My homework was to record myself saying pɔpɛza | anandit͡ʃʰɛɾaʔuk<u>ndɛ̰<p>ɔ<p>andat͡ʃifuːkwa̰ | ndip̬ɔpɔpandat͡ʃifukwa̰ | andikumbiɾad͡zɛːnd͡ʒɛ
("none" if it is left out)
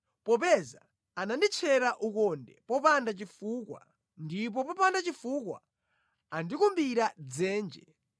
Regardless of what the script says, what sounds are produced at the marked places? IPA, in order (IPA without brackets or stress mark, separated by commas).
ɔ, p, p